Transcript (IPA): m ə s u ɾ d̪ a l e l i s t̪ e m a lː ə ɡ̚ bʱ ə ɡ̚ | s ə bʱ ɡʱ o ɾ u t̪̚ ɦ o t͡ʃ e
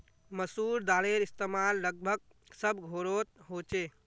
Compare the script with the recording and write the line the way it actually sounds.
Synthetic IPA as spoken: m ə s u ɾ d̪ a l e ɾ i s t̪ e m a lː ə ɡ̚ bʱ ə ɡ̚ | s ə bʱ ɡʱ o ɾ o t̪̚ ɦ o t͡ʃ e

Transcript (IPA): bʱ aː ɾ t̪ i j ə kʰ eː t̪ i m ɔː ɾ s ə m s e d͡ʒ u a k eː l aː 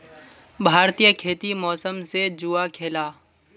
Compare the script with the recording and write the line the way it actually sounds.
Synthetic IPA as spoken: bʱ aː ɾ t̪ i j ə kʰ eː t̪ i m ɔː s ə m s e d͡ʒ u a kʰ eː l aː

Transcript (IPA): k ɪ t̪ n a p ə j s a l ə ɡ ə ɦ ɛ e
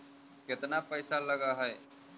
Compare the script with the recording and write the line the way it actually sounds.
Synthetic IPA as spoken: k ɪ t̪ n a p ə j s a l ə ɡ a ɦ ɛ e

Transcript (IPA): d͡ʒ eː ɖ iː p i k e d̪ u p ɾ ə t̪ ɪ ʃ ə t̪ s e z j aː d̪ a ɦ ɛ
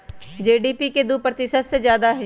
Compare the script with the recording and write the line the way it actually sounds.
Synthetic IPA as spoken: d͡ʒ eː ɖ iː p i k e d̪ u p ɾ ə t̪ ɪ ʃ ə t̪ s e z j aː d̪ a ɦ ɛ

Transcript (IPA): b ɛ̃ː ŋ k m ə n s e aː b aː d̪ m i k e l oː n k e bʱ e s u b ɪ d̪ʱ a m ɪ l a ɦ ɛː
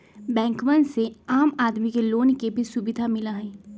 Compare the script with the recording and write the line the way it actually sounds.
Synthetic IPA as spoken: b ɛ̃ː ŋ k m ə n s e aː m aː d̪ m i k e l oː n k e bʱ i s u b ɪ d̪ʱ a m ɪ l a ɦ ɛː

